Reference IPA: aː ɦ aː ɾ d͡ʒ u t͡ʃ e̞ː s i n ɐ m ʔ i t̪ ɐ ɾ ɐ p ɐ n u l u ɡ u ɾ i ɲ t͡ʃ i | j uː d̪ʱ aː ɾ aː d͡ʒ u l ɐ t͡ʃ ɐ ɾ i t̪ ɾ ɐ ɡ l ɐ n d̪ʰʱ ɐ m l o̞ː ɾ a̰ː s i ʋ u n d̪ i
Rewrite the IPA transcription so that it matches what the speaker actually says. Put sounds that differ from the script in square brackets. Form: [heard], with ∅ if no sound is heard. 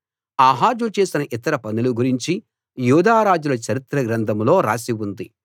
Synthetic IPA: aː ɦ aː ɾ d͡ʒ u t͡ʃ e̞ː s i n ɐ [∅] ʔ i t̪ ɐ ɾ ɐ p ɐ n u l u ɡ u ɾ i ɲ t͡ʃ i | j uː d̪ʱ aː ɾ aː d͡ʒ u l ɐ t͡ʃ ɐ ɾ i t̪ ɾ ɐ ɡ [ɾ] ɐ n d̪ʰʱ ɐ m l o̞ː ɾ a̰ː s i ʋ u n d̪ i